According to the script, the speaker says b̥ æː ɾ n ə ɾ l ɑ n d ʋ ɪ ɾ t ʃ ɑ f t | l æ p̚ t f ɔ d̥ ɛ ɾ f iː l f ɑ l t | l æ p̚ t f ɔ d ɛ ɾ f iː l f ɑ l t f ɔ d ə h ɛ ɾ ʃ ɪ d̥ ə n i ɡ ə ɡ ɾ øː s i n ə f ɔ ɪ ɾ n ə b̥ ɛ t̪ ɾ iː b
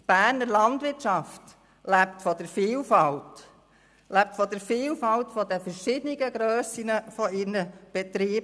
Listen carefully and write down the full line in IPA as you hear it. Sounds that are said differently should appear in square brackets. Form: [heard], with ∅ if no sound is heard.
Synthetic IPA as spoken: b̥ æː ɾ n ə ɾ l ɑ n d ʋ ɪ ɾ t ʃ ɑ f t | l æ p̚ t f ɔ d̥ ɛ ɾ f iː l f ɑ l t | l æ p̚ t f ɔ d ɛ ɾ f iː l f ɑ l t f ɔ d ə [f] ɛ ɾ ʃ ɪ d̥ ə n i ɡ ə ɡ ɾ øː s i n ə f ɔ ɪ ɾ n ə b̥ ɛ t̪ ɾ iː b